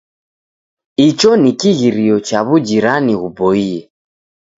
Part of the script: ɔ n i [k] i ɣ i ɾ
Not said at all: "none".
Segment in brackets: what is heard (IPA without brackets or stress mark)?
k